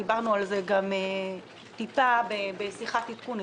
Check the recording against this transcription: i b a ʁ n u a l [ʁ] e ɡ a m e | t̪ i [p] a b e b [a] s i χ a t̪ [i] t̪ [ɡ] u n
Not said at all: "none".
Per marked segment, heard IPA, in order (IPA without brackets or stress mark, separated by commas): z, p, e, i, k